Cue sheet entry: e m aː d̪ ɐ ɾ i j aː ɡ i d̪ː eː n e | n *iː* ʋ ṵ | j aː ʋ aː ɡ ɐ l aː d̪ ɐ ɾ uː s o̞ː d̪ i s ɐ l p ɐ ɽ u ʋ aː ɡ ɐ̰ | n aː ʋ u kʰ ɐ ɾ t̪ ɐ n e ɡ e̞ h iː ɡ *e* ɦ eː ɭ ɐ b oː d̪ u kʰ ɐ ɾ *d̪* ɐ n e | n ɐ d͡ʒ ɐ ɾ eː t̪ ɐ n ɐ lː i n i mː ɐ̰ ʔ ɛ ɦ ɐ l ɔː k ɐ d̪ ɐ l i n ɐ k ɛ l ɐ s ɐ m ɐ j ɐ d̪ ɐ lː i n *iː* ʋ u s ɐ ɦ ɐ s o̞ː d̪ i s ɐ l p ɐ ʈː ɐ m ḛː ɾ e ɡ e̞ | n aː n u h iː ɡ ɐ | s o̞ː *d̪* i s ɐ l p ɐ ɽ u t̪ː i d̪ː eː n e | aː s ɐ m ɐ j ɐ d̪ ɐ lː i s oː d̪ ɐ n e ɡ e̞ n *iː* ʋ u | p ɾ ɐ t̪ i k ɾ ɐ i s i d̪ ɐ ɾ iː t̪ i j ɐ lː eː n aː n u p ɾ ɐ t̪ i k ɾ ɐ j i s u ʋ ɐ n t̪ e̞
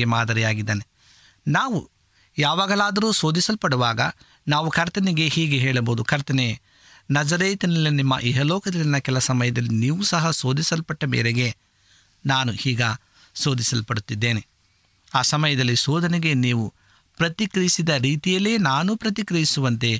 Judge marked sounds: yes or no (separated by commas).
no, yes, no, yes, yes, yes